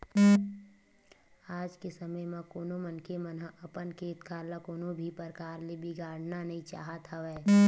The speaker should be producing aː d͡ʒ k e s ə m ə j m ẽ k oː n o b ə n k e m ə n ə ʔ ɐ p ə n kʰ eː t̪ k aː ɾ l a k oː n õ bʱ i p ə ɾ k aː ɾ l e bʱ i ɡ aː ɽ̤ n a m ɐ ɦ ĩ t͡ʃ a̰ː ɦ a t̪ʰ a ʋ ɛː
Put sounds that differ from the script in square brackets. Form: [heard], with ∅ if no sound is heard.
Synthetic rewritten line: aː d͡ʒ k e s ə m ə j m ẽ k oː n o [m] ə n k e m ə n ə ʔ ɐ p ə n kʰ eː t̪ k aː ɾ l a k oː n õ bʱ i p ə ɾ k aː ɾ l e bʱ i ɡ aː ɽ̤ n a [n] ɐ ɦ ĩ t͡ʃ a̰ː ɦ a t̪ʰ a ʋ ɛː